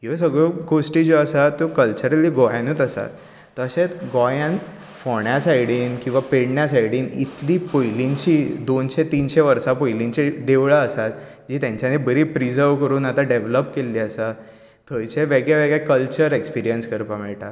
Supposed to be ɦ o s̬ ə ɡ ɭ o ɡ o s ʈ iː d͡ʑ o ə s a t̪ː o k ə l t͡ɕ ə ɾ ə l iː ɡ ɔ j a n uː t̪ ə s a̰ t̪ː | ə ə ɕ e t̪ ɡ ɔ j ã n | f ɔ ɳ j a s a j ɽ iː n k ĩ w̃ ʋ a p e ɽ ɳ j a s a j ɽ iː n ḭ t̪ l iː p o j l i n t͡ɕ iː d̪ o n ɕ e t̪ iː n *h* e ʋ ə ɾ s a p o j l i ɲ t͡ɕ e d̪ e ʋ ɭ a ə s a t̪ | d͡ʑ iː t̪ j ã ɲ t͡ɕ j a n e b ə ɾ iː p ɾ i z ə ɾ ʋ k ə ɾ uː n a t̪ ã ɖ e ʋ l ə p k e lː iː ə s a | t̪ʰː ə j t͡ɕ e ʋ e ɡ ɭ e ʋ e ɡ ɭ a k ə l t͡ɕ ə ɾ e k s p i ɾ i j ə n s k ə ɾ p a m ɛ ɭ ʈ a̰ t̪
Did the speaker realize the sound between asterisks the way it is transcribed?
no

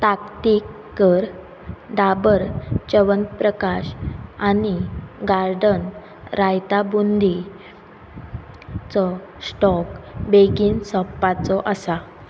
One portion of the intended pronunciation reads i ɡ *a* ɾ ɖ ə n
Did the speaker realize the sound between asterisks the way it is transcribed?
yes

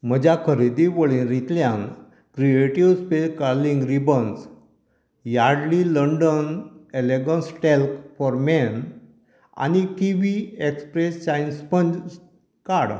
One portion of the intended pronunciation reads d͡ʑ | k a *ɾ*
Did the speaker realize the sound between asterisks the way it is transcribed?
no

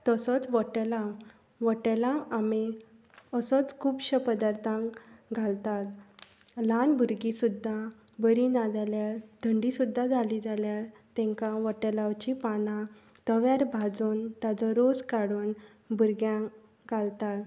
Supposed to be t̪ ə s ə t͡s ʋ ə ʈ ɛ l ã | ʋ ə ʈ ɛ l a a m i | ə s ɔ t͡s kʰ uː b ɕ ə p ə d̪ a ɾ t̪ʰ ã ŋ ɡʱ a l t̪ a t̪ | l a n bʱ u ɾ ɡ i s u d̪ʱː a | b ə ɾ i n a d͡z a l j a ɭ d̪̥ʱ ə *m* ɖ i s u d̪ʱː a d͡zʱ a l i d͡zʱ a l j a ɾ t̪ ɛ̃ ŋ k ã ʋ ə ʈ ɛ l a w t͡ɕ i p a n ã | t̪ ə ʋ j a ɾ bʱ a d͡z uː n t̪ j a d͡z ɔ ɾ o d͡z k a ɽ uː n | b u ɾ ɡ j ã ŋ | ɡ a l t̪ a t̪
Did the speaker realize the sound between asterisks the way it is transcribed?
no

